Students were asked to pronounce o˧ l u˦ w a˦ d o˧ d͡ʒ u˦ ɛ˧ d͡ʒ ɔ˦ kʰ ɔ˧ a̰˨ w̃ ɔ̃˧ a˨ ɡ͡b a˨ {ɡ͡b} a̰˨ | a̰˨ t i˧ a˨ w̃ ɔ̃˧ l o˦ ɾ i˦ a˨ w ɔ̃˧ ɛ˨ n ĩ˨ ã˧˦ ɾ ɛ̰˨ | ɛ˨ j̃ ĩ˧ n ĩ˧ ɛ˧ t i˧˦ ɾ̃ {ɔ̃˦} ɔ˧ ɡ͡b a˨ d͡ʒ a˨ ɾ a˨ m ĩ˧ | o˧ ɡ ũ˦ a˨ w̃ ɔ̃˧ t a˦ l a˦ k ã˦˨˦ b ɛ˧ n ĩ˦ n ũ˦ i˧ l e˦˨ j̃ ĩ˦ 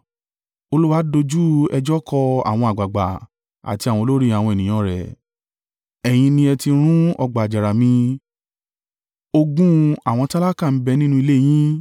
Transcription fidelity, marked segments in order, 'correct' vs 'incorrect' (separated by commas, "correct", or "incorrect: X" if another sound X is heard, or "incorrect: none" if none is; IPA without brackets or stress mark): correct, incorrect: ũ˦